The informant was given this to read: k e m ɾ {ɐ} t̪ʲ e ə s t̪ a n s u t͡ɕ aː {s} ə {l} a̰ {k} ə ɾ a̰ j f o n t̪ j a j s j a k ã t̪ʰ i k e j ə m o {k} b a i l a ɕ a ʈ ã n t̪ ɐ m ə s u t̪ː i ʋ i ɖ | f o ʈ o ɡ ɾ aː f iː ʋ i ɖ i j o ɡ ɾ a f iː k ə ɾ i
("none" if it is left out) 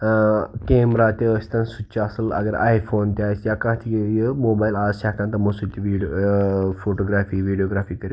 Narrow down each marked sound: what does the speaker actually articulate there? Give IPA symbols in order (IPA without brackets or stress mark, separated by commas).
a, s, l, ɡ, none